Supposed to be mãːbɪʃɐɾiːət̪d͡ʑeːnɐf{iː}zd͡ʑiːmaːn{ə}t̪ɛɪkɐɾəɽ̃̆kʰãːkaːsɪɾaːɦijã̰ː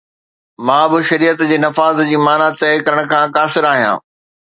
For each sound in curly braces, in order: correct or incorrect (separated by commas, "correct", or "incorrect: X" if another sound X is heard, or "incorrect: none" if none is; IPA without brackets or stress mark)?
incorrect: aː, incorrect: a